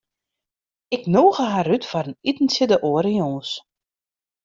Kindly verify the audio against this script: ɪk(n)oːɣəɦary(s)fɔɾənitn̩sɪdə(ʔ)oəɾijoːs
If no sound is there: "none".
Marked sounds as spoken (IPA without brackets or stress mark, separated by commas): n, t, ʔ